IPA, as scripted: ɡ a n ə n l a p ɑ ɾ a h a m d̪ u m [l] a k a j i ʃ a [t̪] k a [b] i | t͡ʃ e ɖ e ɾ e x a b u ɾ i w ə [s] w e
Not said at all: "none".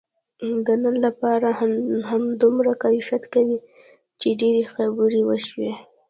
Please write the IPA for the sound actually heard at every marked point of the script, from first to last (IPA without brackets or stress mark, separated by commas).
ɾ, t̪, w, ʃ